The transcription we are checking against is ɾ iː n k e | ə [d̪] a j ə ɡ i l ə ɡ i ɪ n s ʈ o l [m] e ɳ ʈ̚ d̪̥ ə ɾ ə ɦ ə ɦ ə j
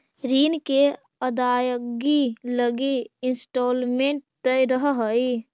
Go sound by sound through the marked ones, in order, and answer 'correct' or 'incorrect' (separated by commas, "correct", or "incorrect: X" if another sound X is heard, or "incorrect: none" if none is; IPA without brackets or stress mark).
correct, correct